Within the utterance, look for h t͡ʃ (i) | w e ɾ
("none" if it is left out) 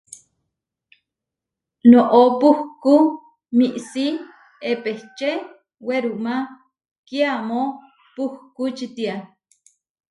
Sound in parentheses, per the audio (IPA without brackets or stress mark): e